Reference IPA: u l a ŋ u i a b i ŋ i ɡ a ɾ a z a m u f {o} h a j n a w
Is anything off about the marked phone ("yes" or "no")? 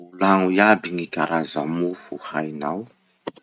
yes